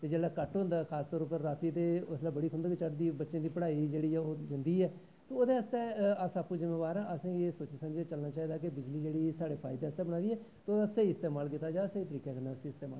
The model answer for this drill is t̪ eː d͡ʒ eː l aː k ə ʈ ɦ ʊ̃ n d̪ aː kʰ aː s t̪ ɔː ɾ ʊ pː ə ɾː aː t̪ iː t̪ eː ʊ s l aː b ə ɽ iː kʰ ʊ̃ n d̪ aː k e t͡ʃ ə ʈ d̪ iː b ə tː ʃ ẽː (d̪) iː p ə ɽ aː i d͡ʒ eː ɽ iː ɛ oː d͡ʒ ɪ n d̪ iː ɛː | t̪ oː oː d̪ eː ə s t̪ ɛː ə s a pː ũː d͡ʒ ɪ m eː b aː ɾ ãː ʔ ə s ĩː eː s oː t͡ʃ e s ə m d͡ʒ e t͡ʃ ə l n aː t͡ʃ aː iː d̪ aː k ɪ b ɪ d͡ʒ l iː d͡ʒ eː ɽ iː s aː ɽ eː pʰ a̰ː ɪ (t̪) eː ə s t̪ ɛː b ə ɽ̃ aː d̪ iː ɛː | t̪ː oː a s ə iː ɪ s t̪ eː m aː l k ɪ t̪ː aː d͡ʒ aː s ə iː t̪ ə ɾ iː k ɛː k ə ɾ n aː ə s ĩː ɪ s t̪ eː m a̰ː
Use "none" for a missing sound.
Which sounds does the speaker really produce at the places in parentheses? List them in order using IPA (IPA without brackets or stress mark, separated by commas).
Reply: d̪, d̪